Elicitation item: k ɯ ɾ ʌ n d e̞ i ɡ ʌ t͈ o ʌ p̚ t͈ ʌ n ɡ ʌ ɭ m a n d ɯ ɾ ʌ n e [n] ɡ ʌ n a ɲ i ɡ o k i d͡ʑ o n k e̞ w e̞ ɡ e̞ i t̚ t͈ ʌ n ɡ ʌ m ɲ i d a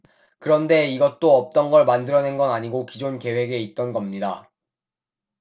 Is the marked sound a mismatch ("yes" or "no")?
no